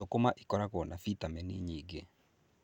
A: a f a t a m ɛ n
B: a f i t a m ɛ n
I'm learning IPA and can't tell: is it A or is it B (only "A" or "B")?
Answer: B